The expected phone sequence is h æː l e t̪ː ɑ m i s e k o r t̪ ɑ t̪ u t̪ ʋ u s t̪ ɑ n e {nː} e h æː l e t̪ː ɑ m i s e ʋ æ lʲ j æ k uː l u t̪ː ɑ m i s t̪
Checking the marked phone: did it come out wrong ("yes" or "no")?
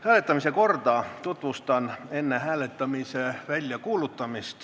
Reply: no